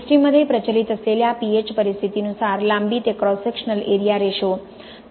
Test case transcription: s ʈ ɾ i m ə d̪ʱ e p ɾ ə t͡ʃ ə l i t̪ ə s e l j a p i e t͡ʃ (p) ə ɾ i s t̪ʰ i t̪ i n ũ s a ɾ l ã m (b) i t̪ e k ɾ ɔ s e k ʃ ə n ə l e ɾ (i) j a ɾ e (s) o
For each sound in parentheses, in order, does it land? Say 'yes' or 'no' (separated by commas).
yes, yes, yes, no